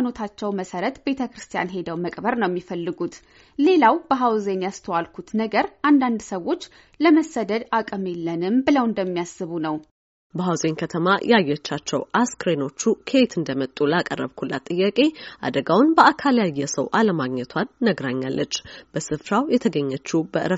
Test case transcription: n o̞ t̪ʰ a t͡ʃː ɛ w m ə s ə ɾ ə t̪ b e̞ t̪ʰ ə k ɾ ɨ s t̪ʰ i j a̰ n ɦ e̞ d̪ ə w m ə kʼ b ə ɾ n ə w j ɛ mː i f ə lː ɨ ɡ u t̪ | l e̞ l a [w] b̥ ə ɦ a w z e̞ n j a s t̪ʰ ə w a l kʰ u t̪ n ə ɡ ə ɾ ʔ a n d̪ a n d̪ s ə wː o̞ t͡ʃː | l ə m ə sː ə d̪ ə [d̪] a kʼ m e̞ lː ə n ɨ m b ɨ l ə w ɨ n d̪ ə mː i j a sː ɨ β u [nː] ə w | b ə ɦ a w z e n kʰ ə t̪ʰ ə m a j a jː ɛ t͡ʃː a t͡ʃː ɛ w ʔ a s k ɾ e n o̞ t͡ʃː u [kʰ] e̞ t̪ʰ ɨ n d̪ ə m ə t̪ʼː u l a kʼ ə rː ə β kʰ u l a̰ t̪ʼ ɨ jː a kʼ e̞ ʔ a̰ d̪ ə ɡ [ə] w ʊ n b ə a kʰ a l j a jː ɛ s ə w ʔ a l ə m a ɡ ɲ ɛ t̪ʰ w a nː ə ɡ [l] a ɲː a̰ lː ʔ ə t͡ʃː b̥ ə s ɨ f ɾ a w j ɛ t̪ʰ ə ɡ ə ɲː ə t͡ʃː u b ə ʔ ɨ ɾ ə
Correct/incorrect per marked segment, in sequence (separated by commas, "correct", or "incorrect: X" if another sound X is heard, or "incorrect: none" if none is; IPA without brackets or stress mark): correct, correct, incorrect: n, correct, incorrect: a, incorrect: ɾ